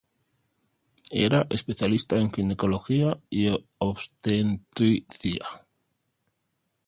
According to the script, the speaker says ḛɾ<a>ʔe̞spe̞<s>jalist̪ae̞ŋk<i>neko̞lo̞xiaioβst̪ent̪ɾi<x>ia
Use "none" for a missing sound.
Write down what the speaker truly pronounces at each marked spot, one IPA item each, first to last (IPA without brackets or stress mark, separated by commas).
a, θ, i, θ